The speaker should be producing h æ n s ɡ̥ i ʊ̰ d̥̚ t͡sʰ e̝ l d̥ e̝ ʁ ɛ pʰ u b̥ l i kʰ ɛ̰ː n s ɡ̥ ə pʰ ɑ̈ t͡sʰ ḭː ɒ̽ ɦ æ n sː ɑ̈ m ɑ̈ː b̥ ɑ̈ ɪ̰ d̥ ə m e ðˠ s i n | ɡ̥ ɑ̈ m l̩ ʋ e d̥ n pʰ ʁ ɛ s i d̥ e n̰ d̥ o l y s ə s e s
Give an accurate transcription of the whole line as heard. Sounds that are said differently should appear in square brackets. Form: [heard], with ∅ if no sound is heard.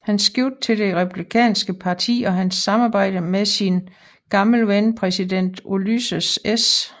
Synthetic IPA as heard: h æ n s ɡ̥ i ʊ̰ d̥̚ t͡sʰ e̝ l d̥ e̝ ʁ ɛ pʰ u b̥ l i kʰ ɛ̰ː n s ɡ̥ ə pʰ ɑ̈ t͡sʰ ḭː ɒ̽ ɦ æ n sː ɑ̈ m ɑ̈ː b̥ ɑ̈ ɪ̰ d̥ ə m e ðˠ s i n | ɡ̥ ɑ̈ m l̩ ʋ e [∅] n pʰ ʁ ɛ s i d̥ e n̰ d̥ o l y s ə s e s